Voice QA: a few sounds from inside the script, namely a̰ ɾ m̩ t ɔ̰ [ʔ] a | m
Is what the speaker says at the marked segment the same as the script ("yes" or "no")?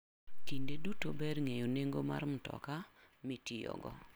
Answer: no